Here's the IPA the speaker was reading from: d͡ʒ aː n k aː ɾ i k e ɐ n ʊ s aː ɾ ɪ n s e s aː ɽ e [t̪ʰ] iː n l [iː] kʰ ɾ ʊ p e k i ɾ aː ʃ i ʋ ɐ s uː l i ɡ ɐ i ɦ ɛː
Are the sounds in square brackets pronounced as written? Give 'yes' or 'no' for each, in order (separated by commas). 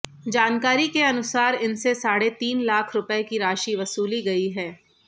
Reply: no, no